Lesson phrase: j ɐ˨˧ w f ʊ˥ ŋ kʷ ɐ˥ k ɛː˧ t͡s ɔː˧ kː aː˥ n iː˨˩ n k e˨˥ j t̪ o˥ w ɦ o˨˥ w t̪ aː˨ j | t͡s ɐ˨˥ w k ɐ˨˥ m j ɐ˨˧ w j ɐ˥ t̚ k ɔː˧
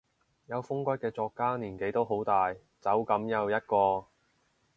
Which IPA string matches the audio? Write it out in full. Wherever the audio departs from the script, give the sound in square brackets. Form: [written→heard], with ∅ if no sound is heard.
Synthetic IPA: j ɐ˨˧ w f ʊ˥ ŋ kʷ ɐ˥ k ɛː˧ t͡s ɔː˧ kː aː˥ n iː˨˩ n k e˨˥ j t̪ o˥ w ɦ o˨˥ w t̪ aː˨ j | t͡s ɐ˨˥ w k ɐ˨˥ m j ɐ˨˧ w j ɐ˥ t̚ k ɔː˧